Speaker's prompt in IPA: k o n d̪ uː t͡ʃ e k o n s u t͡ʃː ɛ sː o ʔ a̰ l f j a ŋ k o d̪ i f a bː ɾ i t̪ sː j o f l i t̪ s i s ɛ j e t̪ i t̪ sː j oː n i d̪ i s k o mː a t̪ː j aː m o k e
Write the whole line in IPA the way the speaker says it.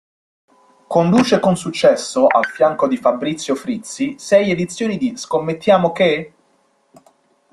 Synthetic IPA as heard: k o n d̪ uː t͡ʃ e k o n s u t͡ʃː ɛ sː o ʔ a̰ l f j a ŋ k o d̪ i f a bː ɾ i t̪ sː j o f ɾ i t̪ s i s ɛ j e d̪ i t̪ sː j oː n i d̪ i s k o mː e t̪ː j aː m o k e